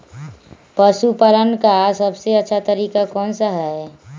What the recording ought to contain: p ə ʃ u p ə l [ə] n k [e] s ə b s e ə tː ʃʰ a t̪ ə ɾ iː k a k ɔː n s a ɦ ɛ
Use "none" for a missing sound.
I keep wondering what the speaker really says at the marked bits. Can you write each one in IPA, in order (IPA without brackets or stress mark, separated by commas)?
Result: ə, a